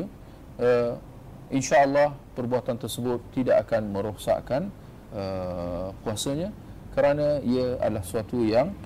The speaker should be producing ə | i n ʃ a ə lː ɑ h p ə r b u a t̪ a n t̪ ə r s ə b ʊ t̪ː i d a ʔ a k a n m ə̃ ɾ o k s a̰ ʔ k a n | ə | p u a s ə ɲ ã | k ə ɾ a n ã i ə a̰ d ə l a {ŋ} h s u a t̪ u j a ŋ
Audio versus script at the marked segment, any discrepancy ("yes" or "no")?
yes